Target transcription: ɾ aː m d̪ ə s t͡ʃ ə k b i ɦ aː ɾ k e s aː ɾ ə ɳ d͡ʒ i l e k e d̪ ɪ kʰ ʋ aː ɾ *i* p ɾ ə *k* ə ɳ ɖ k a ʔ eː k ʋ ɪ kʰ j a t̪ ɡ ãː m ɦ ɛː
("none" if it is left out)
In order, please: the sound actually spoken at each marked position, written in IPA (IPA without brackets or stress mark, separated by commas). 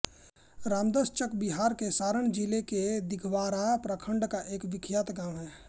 a, kʰ